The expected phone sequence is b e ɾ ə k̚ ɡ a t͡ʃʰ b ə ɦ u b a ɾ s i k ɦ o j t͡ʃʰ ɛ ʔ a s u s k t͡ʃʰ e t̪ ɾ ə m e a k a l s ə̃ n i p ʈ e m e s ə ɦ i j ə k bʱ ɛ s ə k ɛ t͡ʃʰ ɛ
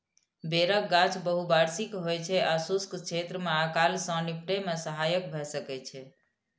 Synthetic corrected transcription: b e ɾ ə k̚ ɡ a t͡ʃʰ b ə ɦ u b a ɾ s i k ɦ o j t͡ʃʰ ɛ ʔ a s u s k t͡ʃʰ e t̪ ɾ ə m e a k a l s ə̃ n i p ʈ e m e s ə ɦ a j ə k bʱ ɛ s ə k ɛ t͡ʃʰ ɛ